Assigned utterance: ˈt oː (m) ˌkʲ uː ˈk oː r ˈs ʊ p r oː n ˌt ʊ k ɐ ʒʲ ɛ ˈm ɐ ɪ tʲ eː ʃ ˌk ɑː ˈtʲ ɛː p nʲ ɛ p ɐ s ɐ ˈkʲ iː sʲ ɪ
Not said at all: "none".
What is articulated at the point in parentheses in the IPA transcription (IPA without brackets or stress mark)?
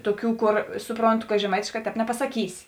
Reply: none